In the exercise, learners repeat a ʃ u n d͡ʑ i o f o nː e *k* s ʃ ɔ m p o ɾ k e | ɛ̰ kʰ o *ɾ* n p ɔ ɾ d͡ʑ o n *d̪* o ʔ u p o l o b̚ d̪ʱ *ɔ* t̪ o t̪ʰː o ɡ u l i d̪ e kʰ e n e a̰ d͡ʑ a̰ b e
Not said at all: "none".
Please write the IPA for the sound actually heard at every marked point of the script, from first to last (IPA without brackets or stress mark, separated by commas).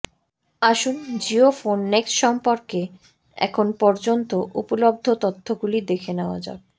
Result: k, none, t̪, o